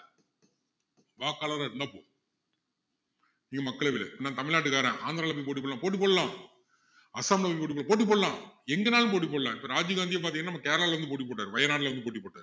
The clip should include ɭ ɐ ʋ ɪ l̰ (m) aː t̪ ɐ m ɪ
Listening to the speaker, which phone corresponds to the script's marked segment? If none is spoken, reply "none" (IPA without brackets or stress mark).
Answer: n